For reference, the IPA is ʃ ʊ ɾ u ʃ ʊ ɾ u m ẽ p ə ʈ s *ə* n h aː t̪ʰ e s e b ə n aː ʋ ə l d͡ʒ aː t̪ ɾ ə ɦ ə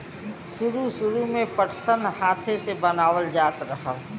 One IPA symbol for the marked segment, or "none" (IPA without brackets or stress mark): ə